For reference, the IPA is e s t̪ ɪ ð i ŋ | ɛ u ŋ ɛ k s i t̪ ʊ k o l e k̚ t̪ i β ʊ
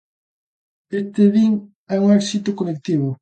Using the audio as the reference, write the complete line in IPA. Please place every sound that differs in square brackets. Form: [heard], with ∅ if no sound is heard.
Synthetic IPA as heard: e s t̪ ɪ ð i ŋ | ɛ u ŋ ɛ k s i t̪ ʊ k o l e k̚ t̪ i β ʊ